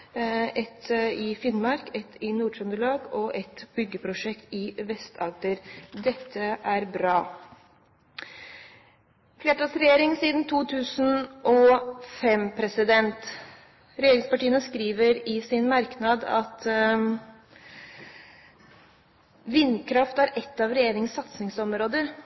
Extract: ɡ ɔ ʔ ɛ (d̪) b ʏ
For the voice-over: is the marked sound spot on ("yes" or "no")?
no